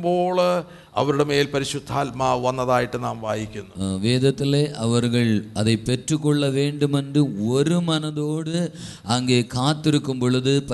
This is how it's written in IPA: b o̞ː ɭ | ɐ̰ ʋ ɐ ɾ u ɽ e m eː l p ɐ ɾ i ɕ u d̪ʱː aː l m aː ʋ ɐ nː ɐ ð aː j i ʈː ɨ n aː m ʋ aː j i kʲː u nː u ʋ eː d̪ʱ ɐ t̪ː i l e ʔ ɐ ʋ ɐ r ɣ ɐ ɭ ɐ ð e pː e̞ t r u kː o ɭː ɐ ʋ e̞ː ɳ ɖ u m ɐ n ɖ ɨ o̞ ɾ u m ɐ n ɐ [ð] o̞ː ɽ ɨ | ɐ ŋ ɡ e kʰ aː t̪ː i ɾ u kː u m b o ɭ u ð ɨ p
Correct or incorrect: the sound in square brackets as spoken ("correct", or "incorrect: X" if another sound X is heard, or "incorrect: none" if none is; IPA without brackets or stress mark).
correct